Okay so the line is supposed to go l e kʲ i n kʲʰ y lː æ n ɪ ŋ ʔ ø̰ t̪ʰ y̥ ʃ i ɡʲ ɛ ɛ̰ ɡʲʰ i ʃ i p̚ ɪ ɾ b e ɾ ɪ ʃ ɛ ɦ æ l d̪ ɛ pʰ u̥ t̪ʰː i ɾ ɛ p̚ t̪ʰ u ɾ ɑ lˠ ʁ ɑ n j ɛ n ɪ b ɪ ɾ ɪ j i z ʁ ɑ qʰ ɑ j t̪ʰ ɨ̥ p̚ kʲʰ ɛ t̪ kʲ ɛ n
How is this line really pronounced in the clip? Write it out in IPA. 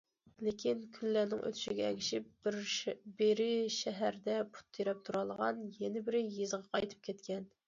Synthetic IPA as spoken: l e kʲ i n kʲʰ y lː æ n ɪ ŋ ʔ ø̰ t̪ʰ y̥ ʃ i ɡʲ ɛ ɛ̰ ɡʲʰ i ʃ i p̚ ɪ ɾ b e ɾ ɪ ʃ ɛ ɦ æ ɾ d̪ ɛ pʰ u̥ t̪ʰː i ɾ ɛ p̚ t̪ʰ u ɾ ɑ lˠ ʁ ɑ n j ɛ n ɪ b ɪ ɾ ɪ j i z ʁ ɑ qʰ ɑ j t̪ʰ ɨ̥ p̚ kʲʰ ɛ t̪ kʲ ɛ n